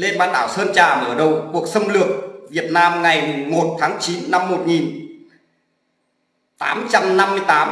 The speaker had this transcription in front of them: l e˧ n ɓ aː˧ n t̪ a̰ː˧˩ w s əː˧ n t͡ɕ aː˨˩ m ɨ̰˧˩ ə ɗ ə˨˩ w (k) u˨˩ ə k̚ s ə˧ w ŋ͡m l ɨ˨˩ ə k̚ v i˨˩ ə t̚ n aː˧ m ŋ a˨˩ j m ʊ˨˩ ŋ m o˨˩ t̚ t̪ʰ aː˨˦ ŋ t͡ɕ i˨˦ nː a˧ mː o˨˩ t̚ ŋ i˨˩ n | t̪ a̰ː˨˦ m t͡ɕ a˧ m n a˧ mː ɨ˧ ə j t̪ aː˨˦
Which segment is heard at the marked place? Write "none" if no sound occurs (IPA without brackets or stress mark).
k